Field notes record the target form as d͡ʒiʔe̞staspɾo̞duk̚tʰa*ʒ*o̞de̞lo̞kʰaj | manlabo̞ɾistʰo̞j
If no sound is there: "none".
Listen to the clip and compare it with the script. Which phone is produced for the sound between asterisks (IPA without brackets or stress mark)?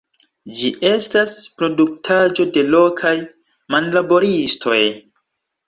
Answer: d͡ʒ